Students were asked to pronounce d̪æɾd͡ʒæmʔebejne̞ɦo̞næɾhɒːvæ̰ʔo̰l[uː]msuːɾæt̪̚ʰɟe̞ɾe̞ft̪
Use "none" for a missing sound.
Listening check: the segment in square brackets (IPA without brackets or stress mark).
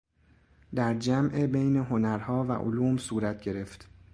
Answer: uː